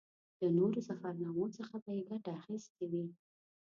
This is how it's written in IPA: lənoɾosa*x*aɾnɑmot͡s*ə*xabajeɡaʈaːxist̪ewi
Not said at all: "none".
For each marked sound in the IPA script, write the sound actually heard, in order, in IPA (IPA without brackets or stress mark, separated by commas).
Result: f, ə